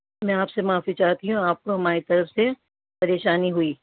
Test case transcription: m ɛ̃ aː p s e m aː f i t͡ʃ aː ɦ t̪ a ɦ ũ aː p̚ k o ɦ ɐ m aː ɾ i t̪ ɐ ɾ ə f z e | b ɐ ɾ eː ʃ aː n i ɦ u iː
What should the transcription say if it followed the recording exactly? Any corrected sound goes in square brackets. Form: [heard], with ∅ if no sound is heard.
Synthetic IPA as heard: m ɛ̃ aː p s e m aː f i t͡ʃ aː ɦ t̪ [i] ɦ ũ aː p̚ k o ɦ ɐ m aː ɾ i t̪ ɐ ɾ ə f [s] e | [p] ɐ ɾ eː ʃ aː n i ɦ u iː